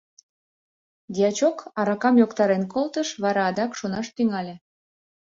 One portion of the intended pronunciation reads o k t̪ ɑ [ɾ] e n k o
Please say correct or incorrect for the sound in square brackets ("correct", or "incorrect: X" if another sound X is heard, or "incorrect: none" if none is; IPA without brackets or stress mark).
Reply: correct